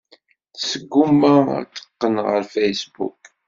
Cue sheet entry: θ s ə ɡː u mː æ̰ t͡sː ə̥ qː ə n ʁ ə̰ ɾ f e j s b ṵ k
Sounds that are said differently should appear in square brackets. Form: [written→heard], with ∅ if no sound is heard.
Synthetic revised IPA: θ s ə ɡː u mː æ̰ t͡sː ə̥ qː ə n ʁ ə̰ ɾ f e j s b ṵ k